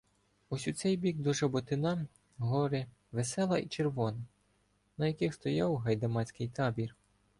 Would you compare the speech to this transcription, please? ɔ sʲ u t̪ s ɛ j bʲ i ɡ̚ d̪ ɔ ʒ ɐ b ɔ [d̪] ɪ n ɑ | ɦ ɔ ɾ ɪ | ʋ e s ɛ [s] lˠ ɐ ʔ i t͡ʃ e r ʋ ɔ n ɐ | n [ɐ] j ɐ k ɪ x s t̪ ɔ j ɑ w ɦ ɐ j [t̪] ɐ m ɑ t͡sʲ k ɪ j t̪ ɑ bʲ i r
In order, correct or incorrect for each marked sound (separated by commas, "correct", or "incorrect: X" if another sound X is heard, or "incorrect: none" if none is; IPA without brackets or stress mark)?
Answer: incorrect: t̪, incorrect: none, correct, incorrect: d̪